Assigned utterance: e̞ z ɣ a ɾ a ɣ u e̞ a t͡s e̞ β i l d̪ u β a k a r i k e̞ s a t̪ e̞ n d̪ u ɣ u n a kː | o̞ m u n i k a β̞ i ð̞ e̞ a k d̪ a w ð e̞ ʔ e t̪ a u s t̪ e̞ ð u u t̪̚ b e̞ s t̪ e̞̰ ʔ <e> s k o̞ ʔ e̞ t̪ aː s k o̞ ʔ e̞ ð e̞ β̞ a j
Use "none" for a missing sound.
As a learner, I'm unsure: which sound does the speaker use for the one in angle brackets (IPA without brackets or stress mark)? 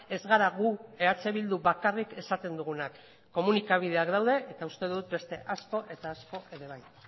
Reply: a